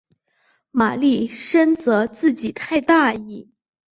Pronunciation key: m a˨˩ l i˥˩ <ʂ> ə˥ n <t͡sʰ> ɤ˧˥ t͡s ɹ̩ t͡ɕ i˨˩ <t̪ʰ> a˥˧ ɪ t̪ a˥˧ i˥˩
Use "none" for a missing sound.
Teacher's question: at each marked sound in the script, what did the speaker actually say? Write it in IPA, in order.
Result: ʂ, t͡s, t̪ʰ

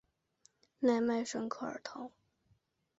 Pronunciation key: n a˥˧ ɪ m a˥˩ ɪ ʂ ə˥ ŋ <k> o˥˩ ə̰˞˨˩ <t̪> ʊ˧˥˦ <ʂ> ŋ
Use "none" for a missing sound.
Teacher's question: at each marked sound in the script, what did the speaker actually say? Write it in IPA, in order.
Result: kʰ, t̪ʰ, none

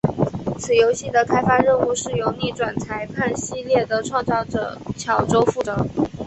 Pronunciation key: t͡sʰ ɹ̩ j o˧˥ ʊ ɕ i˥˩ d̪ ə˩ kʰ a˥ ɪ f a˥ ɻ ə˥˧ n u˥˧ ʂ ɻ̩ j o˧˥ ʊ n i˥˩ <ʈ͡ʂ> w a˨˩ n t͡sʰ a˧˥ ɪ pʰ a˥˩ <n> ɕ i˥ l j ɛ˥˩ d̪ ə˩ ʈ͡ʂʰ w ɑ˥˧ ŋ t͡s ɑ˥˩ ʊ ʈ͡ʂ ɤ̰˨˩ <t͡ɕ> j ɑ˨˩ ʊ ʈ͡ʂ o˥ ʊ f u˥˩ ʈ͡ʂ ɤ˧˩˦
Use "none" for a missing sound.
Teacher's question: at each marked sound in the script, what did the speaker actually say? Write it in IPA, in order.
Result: ʈ͡ʂ, n, t͡ɕʰ

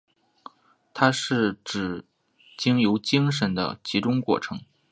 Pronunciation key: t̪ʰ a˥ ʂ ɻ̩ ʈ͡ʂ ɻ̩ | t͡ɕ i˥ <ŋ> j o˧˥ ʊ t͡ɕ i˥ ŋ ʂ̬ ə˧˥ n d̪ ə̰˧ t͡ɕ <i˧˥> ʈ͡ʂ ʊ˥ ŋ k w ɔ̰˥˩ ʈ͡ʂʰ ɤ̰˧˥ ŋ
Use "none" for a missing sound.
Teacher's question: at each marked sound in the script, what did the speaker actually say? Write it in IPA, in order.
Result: ŋ, i˧˥

